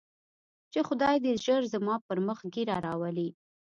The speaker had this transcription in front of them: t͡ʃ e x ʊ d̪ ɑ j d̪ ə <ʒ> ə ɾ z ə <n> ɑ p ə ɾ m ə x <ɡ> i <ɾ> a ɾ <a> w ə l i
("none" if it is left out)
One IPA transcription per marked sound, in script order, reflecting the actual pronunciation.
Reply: ʒ, m, ɡ, ɾ, ɑ

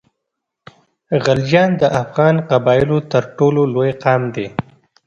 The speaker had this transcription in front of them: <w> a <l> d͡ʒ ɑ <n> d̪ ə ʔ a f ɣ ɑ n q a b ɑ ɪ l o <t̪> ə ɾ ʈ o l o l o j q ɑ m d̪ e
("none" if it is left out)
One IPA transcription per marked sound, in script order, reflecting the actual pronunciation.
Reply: ɣ, l, n, t̪

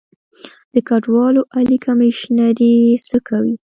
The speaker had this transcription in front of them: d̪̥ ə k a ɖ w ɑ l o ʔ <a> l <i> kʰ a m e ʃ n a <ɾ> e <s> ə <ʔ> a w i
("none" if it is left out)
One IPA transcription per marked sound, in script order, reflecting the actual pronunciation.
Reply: a, i, ɾ, s, k

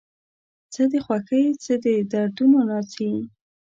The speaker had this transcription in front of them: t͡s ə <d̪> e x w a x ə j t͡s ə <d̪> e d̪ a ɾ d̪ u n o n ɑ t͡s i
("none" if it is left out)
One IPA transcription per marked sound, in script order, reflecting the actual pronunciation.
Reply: d̪, d̪

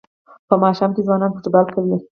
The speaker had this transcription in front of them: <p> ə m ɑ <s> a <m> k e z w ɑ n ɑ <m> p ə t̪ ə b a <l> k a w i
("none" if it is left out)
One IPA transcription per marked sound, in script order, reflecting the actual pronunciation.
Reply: p, ʃ, m, n, l

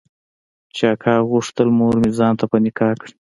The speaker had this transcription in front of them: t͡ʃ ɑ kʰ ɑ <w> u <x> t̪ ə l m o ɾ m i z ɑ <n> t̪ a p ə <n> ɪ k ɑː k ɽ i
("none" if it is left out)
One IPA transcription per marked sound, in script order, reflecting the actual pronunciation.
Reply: ɣ, ʂ, n, n

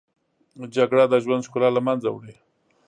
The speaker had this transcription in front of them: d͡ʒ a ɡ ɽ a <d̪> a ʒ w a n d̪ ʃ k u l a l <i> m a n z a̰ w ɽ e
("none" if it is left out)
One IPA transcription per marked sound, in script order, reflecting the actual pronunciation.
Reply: d̪, a

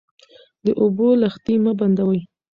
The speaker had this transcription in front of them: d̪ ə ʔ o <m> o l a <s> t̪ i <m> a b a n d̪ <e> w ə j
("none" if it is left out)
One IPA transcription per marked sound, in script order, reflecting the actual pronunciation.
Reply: b, x, m, a

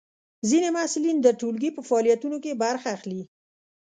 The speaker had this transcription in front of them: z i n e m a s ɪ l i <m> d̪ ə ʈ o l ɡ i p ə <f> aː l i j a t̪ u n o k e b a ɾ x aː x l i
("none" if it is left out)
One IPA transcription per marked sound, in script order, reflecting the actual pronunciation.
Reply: n, f

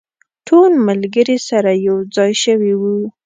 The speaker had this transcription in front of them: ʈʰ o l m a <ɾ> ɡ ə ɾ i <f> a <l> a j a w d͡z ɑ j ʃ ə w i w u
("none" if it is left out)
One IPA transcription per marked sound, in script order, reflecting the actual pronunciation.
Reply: l, s, ɾ

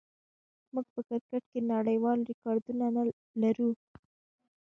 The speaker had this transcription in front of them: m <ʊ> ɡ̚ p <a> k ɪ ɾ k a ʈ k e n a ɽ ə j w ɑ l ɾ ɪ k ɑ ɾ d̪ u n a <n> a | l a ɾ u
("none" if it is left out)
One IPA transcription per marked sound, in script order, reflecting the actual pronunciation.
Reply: u, ə, n

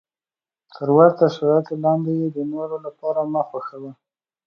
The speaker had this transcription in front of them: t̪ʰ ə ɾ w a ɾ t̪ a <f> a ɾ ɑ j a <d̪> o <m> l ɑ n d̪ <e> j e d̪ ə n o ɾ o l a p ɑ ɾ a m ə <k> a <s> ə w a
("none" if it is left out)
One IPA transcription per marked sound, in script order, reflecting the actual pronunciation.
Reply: ʃ, t̪, none, e, x, x

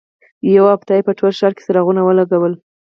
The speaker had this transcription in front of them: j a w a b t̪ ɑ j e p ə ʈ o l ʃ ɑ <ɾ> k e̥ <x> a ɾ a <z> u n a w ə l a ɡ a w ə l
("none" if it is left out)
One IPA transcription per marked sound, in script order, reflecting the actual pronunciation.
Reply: ɾ, s, ɣ

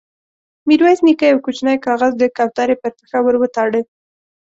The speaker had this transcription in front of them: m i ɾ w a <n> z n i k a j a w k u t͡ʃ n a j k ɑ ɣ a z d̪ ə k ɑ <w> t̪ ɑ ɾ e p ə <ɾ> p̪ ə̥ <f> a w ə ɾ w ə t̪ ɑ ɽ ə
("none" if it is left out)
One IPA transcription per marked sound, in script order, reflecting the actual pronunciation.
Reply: none, w, ɾ, x

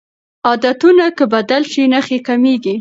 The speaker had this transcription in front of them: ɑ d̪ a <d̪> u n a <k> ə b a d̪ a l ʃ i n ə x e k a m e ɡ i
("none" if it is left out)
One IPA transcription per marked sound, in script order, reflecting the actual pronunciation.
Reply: t̪, k

